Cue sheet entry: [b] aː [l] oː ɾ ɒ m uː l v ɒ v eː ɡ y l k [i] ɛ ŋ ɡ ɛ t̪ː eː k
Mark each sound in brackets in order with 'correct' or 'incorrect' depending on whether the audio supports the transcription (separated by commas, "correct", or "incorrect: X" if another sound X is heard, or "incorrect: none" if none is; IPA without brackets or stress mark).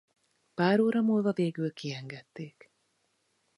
incorrect: p, incorrect: ɾ, correct